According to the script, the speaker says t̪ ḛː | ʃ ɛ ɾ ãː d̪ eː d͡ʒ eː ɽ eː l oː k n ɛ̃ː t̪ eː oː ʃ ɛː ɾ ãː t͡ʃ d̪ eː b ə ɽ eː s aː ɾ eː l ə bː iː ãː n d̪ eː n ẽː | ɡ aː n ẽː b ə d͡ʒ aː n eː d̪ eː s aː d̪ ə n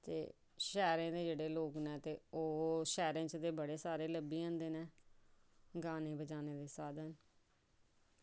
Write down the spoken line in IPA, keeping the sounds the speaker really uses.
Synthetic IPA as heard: t̪ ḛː | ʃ ɛː ɾ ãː d̪ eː d͡ʒ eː ɽ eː l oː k n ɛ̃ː t̪ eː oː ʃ ɛː ɾ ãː t͡ʃ d̪ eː b ə ɽ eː s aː ɾ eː l ə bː iː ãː n d̪ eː n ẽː | ɡ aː n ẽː b ə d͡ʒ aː n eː d̪ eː s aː d̪ ə n